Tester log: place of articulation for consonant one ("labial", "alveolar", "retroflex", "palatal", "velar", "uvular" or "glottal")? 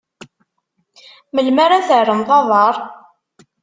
labial